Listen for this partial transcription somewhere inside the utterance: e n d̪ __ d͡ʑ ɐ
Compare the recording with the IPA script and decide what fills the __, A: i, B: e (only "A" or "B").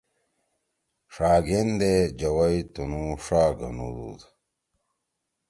B